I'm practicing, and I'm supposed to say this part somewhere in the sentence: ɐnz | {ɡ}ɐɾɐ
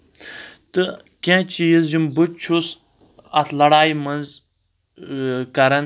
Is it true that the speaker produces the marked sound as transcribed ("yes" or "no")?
no